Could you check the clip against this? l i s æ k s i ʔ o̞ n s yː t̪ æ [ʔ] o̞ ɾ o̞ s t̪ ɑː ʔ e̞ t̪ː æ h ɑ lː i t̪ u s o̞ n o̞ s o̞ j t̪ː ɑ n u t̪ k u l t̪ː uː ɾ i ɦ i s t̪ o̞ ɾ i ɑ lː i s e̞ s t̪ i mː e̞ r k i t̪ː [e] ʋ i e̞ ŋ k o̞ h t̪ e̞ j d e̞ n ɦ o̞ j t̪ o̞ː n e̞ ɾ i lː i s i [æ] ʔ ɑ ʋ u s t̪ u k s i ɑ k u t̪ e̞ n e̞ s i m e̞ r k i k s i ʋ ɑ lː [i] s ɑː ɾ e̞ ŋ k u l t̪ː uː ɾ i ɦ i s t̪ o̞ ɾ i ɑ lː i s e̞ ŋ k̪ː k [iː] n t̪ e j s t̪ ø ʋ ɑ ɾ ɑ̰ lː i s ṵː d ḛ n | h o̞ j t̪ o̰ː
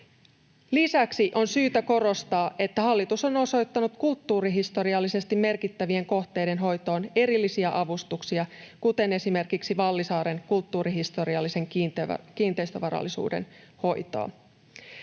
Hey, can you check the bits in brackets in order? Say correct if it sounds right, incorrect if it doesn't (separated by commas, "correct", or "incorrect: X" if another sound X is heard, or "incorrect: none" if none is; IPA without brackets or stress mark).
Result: incorrect: k, incorrect: æ, correct, correct, correct